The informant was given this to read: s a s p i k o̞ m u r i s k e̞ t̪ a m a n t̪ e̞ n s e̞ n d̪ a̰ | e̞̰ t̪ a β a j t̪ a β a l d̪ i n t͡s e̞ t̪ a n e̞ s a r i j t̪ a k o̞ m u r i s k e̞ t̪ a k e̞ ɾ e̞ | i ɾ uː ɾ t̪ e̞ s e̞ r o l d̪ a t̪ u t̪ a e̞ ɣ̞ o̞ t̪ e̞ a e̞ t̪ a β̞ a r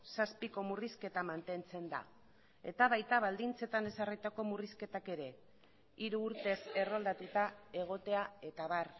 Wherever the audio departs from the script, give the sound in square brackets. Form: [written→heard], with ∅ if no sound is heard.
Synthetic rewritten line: s a s p i k o̞ m u r i s k e̞ t̪ a m a n t̪ e̞ n [s→t͡s] e̞ n d̪ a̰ | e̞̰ t̪ a β a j t̪ a β a l d̪ i n t͡s e̞ t̪ a n e̞ s a r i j t̪ a k o̞ m u r i s k e̞ t̪ a k e̞ ɾ e̞ | i ɾ uː ɾ t̪ e̞ s e̞ r o l d̪ a t̪ u t̪ a e̞ ɣ̞ o̞ t̪ e̞ a e̞ t̪ a β̞ a r